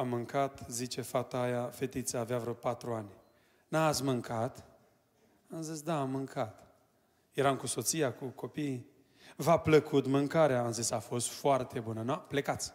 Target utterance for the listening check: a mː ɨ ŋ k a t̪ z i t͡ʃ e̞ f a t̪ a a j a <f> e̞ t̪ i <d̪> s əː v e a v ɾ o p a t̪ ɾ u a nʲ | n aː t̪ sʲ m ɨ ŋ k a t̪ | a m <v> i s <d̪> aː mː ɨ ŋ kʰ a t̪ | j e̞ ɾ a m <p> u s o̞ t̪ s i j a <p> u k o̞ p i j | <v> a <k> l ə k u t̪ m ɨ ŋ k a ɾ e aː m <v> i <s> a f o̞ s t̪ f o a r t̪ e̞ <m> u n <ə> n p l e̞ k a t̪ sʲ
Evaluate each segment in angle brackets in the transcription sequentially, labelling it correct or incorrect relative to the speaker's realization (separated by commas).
correct, incorrect, incorrect, correct, incorrect, incorrect, correct, incorrect, incorrect, correct, incorrect, correct